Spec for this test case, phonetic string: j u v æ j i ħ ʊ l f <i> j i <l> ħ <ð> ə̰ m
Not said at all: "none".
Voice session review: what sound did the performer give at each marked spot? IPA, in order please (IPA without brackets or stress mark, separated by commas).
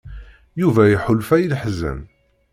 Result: æ, l, z